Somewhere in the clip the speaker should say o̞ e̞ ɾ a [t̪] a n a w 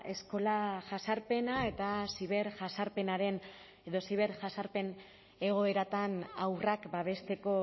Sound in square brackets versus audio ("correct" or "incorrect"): correct